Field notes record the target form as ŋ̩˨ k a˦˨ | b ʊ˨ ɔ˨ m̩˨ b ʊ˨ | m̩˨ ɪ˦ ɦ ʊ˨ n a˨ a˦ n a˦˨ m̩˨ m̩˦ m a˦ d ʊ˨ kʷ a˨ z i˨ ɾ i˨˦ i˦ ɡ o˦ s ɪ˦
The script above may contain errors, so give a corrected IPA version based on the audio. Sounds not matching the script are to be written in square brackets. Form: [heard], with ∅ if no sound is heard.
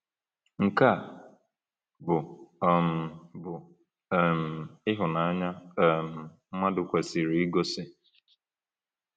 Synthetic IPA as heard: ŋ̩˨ k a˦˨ | b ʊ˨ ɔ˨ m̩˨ b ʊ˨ | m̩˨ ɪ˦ ɦ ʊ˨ n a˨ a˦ [ɲ] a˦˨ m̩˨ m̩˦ m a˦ d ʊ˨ kʷ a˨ [s] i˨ ɾ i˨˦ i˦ ɡ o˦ s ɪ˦